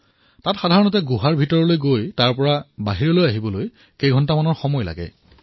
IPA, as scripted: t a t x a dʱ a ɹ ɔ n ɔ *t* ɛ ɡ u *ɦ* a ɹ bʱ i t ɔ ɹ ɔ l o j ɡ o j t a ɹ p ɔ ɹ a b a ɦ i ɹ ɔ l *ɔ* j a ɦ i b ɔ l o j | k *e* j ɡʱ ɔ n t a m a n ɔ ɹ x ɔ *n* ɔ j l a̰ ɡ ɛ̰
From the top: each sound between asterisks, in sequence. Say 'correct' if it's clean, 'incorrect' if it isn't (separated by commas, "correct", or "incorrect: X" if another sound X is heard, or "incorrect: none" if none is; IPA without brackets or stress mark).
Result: correct, correct, incorrect: o, correct, incorrect: m